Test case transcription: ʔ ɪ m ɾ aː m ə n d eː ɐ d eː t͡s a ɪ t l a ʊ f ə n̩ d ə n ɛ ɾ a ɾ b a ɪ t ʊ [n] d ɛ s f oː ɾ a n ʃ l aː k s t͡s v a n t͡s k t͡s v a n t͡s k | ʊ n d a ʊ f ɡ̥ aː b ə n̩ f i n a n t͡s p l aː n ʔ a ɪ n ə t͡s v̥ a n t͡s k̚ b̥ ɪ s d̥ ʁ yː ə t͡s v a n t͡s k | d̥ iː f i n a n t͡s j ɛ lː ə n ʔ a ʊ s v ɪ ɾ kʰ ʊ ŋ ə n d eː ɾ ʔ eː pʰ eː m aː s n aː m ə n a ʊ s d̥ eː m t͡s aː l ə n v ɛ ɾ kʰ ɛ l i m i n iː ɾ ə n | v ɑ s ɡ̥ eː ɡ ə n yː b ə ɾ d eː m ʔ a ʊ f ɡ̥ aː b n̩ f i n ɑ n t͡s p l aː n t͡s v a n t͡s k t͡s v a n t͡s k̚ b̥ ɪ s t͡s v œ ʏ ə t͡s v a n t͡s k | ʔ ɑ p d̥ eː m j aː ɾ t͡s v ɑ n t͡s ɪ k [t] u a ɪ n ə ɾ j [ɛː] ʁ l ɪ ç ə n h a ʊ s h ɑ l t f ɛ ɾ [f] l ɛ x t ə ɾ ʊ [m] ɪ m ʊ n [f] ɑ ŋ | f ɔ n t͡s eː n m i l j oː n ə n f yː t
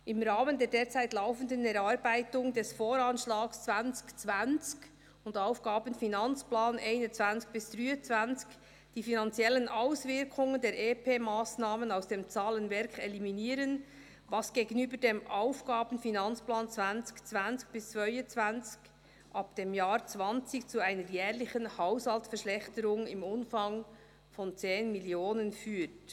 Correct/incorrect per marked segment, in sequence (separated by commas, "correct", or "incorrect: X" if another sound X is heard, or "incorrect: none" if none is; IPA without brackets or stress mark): incorrect: ŋ, incorrect: t͡s, correct, incorrect: ʃ, incorrect: ŋ, correct